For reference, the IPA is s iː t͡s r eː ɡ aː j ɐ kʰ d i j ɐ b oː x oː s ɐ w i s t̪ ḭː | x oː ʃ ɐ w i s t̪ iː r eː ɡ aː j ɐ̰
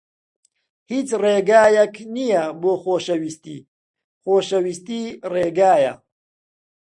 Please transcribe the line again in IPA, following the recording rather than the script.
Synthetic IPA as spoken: h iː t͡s r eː ɡ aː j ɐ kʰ n i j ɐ b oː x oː ʃ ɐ w i s t̪ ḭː | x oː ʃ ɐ w i s t̪ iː r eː ɡ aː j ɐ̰